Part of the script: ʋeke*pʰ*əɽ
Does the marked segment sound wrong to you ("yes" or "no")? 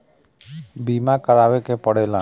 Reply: yes